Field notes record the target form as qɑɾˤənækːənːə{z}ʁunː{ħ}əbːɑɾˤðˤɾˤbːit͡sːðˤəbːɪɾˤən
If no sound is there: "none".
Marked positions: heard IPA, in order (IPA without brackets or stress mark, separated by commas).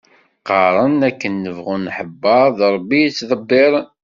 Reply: v, ħ